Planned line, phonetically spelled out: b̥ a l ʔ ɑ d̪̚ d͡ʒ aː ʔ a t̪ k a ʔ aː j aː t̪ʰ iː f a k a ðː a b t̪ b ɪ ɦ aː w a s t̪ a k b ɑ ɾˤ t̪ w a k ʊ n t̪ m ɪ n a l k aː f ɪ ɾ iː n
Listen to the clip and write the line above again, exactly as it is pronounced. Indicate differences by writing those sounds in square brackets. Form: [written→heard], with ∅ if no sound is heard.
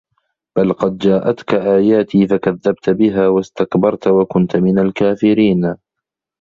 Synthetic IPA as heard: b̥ a l [ʔ→q] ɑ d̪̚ d͡ʒ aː ʔ a t̪ k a ʔ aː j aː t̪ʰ iː f a k a ðː a b t̪ b ɪ ɦ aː w a s t̪ a k b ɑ ɾˤ t̪ w a k ʊ n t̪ m ɪ n a l k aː f ɪ ɾ iː n